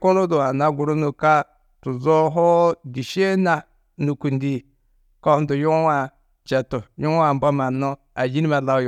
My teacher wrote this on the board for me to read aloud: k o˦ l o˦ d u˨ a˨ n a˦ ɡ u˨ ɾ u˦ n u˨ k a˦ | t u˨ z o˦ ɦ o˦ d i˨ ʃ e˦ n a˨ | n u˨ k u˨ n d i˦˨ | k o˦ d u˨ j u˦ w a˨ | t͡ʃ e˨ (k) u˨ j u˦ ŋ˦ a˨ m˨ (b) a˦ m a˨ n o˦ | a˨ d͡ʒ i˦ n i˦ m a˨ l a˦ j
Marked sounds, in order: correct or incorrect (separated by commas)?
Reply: incorrect, correct